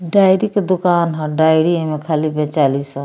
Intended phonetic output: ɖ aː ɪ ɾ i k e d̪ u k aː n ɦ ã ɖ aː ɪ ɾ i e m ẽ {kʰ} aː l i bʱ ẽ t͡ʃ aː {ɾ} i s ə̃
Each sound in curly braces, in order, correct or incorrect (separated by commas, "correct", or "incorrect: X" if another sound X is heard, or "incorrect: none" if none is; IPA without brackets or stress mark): correct, incorrect: l